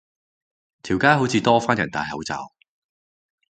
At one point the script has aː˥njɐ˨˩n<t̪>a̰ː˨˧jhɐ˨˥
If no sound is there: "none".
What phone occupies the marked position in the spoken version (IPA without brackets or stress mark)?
t̪